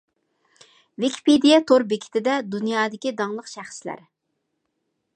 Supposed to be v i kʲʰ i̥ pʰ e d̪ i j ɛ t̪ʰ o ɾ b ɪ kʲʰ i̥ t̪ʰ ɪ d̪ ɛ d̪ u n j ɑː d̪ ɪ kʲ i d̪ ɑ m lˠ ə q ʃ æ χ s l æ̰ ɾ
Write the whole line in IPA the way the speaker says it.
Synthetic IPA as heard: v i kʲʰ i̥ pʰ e d̪ i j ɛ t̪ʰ o ɾ b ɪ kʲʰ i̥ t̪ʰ ɪ d̪ ɛ d̪ u n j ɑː d̪ ɪ kʲ i d̪ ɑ ŋ lˠ ə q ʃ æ χ s l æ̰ ɾ

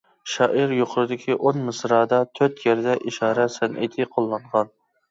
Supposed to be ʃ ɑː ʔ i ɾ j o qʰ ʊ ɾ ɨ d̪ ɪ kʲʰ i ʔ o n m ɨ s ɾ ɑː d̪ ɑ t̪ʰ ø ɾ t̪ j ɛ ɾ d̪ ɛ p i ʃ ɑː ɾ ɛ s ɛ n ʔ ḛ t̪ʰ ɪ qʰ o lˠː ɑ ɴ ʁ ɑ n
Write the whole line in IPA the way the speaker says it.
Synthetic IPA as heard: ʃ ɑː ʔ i ɾ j o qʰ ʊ ɾ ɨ d̪ ɪ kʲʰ i ʔ o n m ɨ s ɾ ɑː d̪ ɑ t̪ʰ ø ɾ t̪ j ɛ ɾ d̪ ɛ ʔ i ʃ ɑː ɾ ɛ s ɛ n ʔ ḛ t̪ʰ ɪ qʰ o lˠː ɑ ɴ ʁ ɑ n

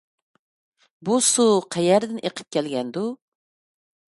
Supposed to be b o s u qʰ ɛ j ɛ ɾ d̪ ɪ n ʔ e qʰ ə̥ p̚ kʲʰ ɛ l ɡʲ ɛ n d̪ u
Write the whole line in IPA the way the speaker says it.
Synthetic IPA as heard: b u s u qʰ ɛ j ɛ ɾ d̪ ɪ n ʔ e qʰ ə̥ p̚ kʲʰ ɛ l ɡʲ ɛ n d̪ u

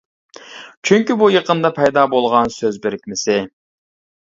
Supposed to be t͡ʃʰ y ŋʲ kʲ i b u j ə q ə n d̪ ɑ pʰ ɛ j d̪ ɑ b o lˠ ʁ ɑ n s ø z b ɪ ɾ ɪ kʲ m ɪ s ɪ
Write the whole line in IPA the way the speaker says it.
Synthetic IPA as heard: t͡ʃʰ y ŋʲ kʲ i b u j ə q ə n d̪ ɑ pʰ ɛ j d̪ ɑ b o lˠ ʁ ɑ n s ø z b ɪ ɾ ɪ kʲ m ɪ s ɪ

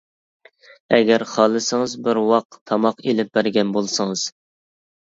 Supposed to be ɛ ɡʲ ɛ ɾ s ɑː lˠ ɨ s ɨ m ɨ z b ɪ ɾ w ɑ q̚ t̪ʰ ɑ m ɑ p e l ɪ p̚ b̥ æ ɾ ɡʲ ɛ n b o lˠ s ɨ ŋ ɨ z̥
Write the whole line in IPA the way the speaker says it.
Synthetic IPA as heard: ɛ ɡʲ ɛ ɾ χ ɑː lˠ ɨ s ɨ ŋ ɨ z b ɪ ɾ w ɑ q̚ t̪ʰ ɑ m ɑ q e l ɪ p̚ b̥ æ ɾ ɡʲ ɛ n b o lˠ s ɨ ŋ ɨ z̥

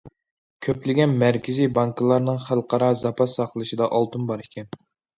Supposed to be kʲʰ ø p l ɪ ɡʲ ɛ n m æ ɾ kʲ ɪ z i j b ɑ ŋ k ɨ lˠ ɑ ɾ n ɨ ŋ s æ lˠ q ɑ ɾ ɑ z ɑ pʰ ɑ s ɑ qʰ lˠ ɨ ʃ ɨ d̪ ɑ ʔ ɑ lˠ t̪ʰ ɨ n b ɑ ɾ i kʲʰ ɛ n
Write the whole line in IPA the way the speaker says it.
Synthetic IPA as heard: kʲʰ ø p l ɪ ɡʲ ɛ n m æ ɾ kʲ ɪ z i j b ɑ ŋ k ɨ lˠ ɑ ɾ n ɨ ŋ χ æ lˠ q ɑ ɾ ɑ z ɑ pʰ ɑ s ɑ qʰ lˠ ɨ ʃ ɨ d̪ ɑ ʔ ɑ lˠ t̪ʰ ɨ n b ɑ ɾ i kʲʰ ɛ n

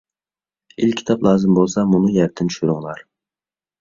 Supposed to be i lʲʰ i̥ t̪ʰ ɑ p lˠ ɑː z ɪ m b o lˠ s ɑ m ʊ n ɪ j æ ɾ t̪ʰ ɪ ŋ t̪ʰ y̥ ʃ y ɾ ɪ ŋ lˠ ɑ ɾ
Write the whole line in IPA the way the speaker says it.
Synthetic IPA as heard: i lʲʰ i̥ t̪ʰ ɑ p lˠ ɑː z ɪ m b o lˠ s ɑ m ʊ n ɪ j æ ɾ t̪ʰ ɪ n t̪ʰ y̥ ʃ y ɾ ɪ ŋ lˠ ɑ ɾ

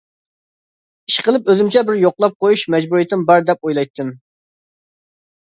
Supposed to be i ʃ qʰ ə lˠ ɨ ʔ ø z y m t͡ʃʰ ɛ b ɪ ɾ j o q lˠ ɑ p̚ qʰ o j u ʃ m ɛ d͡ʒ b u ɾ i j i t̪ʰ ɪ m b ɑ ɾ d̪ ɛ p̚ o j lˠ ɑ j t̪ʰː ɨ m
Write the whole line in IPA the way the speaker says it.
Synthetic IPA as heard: i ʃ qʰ ə lˠ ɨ p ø z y m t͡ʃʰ ɛ b ɪ ɾ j o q lˠ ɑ p̚ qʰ o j u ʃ m ɛ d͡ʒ b u ɾ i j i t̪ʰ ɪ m b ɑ ɾ d̪ ɛ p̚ o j lˠ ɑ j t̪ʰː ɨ m

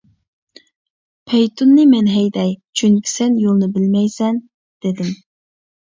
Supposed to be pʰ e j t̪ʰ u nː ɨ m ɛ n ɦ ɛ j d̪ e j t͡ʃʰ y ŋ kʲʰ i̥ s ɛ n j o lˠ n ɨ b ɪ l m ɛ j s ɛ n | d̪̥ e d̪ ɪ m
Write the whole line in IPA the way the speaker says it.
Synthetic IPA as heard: pʰ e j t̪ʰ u nː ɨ m ɛ n ɦ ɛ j d̪ ɛ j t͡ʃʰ y ŋ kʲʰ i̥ s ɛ n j o lˠ n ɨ b ɪ l m ɛ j s ɛ n | d̪̥ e d̪ ɪ m

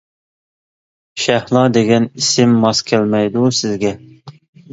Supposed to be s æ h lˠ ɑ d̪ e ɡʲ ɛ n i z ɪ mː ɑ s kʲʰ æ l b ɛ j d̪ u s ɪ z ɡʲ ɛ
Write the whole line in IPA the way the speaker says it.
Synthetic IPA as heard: ʃ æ h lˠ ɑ d̪ e ɡʲ ɛ n i s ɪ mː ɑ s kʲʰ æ l m ɛ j d̪ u s ɪ z ɡʲ ɛ

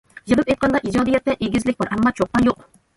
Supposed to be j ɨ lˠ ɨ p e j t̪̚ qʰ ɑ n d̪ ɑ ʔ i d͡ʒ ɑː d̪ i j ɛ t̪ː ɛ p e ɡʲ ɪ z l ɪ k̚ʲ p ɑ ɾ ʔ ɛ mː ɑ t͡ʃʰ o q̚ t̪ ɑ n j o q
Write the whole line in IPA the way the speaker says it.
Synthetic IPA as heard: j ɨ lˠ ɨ p e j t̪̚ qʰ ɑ n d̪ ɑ ʔ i d͡ʒ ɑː d̪ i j ɛ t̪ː ɛ ʔ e ɡʲ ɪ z l ɪ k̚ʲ b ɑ ɾ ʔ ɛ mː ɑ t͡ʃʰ o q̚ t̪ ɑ n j o q

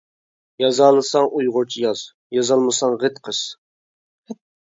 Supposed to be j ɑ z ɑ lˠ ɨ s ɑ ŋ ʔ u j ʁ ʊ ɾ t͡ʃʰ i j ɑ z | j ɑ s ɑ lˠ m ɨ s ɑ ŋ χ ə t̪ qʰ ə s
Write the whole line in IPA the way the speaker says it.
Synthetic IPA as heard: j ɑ z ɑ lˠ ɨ s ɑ ŋ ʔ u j ʁ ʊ ɾ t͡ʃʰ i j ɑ z | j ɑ z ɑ lˠ m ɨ s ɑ ŋ ʁ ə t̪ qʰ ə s

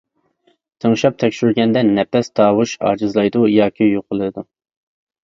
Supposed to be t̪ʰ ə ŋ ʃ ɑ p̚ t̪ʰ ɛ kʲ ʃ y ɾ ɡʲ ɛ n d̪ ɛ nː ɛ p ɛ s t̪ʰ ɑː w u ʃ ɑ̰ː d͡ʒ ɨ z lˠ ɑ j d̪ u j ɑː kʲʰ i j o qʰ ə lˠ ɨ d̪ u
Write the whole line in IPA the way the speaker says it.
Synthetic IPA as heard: t̪ʰ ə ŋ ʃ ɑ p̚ t̪ʰ ɛ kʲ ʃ y ɾ ɡʲ ɛ n d̪ ɛ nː ɛ p ɛ s t̪ʰ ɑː w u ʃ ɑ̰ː d͡ʒ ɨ z lˠ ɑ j d̪ u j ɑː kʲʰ i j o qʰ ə lˠ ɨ d̪ u

